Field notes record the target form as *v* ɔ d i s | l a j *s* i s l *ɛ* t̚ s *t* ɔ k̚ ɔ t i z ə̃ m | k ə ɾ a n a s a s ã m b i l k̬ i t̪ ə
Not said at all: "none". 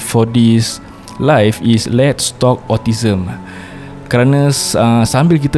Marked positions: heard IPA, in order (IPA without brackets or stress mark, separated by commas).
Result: f, f, ɛ, t